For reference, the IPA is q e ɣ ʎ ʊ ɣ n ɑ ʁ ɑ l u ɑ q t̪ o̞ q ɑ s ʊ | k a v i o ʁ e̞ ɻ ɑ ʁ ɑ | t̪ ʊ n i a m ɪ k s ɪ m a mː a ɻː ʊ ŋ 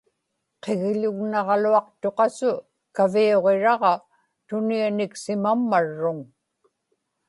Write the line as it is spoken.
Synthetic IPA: q e ɣ ʎ ʊ ɣ n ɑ ʁ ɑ l u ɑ q t̪ o̞ q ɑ s ʊ | k a v i o ʁ e̞ ɻ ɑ ʁ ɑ | t̪ ʊ n i a n ɪ k s ɪ m a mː a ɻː ʊ ŋ